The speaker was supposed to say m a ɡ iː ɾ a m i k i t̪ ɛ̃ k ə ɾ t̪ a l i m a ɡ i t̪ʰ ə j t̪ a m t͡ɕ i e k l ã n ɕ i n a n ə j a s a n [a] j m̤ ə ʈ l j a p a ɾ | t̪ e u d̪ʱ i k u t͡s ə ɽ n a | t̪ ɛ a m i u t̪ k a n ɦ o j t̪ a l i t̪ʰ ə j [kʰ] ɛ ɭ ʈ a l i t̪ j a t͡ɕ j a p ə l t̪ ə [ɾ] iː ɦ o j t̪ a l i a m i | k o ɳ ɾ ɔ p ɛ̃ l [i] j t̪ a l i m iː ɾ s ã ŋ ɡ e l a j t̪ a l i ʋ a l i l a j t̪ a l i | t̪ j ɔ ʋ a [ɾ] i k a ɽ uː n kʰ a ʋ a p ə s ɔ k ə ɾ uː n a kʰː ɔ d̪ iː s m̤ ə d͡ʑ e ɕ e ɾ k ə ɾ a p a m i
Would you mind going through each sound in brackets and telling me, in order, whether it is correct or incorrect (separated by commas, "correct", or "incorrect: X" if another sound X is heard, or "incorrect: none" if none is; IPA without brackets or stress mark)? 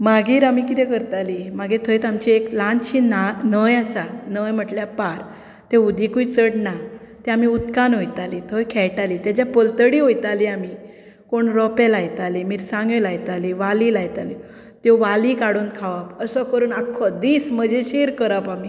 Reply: incorrect: ə, correct, incorrect: ɽ, incorrect: a, incorrect: l